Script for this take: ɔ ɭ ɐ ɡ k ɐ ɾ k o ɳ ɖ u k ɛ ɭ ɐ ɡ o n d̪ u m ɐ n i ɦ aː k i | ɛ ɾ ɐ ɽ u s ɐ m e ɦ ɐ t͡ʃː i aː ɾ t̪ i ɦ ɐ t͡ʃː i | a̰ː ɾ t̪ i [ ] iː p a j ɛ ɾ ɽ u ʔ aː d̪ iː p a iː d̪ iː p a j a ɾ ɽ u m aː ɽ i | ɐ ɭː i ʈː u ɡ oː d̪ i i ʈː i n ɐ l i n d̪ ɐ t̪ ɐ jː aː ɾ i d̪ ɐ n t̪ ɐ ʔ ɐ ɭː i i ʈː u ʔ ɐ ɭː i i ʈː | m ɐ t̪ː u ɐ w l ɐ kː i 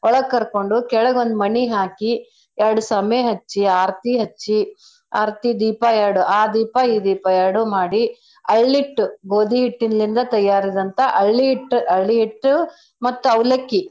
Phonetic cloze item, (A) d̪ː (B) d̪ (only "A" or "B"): B